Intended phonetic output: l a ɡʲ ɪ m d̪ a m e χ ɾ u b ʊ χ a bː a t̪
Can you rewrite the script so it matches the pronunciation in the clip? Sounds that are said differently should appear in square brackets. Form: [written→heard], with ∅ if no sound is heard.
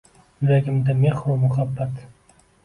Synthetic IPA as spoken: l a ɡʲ ɪ m d̪ a m e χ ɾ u [b→m] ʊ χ a bː a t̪